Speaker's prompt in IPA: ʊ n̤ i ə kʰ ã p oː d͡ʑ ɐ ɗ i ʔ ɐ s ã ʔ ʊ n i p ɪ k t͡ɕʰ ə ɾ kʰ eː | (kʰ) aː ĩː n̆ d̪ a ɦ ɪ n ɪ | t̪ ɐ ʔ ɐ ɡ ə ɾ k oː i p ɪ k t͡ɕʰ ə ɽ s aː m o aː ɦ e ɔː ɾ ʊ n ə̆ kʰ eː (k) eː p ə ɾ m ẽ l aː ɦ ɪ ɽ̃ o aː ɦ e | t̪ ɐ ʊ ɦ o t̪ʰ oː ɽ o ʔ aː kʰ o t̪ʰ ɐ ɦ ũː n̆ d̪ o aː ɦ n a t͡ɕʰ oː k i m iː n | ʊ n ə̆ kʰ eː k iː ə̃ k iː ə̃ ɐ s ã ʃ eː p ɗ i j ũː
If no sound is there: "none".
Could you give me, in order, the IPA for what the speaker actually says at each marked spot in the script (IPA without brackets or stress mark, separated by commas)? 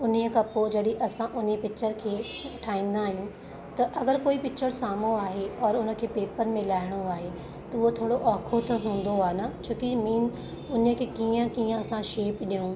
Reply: ʈʰ, p